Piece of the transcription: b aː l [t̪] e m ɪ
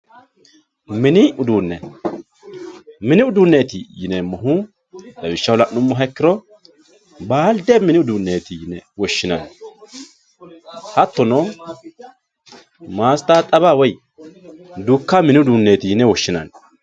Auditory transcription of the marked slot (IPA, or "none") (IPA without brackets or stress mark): d̪